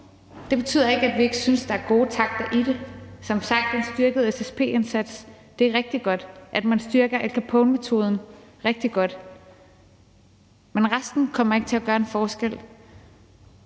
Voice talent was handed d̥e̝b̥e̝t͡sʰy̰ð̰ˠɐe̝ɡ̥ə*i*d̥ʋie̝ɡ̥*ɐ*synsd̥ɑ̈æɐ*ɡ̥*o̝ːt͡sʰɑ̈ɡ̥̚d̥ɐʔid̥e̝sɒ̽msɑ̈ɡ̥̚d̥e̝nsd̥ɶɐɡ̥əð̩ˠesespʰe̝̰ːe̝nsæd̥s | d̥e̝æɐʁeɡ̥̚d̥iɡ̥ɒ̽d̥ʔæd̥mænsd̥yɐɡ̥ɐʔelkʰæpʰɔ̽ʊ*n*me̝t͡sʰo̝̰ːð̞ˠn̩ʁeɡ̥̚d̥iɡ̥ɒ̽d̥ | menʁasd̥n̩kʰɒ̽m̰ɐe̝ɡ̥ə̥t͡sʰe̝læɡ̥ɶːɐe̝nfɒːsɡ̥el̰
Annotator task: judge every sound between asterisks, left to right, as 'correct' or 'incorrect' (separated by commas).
incorrect, incorrect, correct, correct